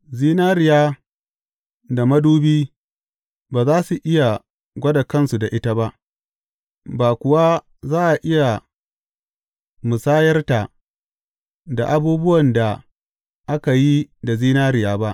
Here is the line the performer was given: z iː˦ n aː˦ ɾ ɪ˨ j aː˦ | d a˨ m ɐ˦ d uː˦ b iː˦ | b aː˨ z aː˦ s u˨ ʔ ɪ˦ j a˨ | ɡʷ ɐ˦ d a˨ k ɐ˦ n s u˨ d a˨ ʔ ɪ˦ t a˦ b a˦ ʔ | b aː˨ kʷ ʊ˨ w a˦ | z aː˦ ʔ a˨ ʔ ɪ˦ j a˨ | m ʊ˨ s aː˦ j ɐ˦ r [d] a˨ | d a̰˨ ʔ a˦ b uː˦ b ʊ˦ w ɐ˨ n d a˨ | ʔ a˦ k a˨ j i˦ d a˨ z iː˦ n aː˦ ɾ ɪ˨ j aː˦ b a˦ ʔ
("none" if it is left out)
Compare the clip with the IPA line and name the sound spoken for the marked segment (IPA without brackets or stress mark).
t